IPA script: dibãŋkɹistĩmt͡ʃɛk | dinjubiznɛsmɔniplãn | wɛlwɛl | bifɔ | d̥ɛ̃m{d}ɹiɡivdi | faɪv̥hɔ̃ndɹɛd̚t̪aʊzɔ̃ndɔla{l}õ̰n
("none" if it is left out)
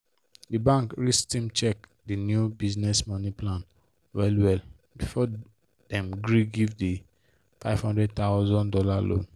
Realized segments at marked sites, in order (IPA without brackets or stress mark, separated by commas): ɡ, l